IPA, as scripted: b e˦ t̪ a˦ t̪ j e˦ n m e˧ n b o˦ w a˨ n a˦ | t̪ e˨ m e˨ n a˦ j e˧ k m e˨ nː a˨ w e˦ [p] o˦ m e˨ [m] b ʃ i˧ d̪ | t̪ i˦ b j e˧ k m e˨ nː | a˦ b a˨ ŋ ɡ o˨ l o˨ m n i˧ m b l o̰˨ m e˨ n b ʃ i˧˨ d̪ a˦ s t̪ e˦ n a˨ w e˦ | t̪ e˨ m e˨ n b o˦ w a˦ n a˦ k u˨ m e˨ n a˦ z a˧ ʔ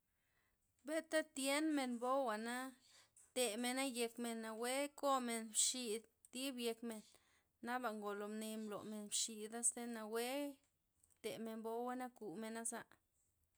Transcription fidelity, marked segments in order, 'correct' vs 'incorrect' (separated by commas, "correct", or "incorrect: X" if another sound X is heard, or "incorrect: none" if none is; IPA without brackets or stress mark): incorrect: k, incorrect: n